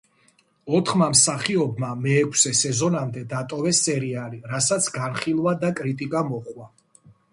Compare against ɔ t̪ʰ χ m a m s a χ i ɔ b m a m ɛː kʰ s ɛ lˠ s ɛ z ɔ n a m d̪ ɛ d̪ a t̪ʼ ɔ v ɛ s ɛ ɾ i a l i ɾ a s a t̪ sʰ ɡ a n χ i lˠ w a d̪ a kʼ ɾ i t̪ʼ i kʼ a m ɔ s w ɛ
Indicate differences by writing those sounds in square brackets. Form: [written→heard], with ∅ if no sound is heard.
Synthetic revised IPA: ɔ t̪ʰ χ m a m s a χ i ɔ b m a m ɛː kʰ s ɛ [lˠ→∅] s ɛ z ɔ n a m d̪ ɛ d̪ a t̪ʼ ɔ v ɛ s ɛ ɾ i a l i ɾ a s a t̪ sʰ ɡ a n χ i lˠ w a d̪ a kʼ ɾ i t̪ʼ i kʼ a m ɔ [s→χ] w [ɛ→a]